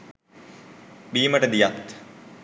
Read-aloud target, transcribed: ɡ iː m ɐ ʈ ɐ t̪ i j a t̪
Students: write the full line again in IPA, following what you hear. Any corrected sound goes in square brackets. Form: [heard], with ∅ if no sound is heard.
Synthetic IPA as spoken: [b] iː m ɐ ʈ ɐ [d̪] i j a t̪